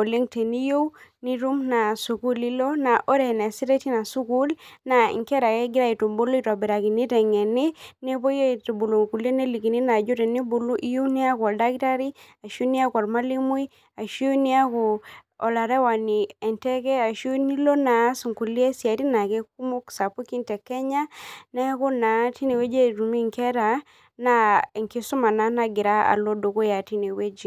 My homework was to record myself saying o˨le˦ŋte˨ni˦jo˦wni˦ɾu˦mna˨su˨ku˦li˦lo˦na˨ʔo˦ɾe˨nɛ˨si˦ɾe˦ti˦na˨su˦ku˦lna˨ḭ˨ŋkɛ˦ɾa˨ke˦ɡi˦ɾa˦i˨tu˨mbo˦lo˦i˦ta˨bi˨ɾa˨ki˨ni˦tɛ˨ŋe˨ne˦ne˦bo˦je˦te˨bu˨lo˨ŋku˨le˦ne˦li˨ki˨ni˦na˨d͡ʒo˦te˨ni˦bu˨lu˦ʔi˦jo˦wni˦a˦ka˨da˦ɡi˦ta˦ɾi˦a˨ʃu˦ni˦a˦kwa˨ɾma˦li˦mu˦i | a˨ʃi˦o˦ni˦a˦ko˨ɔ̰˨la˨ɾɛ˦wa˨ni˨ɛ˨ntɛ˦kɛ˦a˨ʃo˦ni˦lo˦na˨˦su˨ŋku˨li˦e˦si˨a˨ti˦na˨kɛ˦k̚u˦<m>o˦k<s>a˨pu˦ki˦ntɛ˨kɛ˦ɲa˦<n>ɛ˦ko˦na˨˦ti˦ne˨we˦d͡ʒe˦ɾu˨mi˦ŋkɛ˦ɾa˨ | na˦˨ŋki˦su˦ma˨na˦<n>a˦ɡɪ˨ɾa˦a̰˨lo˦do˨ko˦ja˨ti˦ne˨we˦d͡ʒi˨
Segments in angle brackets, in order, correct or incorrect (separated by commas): correct, correct, correct, correct